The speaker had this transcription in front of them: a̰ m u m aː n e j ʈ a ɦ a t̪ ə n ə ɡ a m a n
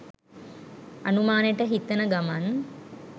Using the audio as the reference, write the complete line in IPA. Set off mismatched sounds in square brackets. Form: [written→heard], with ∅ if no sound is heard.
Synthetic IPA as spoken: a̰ [m→n] u m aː n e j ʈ [a→ə] ɦ [a→i] t̪ ə n ə ɡ a m a n